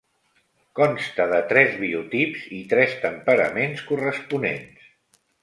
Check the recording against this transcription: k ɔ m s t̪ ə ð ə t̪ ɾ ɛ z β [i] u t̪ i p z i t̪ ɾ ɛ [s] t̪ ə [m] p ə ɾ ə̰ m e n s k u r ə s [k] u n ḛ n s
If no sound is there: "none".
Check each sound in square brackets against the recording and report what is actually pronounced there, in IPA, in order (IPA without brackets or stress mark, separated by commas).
i, s, m, p